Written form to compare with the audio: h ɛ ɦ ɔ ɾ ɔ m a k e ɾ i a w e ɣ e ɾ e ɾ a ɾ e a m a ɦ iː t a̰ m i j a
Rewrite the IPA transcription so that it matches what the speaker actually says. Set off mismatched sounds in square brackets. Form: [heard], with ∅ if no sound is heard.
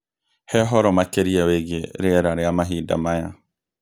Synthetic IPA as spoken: h ɛ ɦ ɔ ɾ ɔ m a k e ɾ i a w e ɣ e ɾ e ɾ a ɾ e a m a ɦ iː [d] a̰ m [a] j a